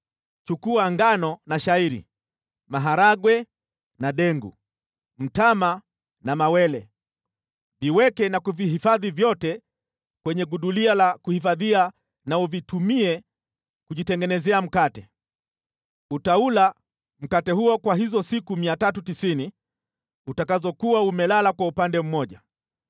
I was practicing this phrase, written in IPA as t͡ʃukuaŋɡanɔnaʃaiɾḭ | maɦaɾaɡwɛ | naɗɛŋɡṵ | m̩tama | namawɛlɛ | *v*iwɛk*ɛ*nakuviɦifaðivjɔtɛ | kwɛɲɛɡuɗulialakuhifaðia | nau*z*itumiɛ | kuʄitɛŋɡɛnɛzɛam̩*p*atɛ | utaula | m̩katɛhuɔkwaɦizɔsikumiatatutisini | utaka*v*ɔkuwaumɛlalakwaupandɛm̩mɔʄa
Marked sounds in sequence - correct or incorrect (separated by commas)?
correct, correct, incorrect, incorrect, incorrect